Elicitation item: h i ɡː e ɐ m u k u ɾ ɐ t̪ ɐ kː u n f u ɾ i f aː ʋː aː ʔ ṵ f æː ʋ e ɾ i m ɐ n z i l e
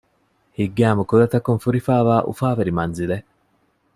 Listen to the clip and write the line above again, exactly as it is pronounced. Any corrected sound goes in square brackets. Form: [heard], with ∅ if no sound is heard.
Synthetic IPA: h i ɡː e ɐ m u k u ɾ ɐ t̪ ɐ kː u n f u ɾ i f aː [ʋ] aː ʔ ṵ f [aː] ʋ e ɾ i m ɐ n z i l e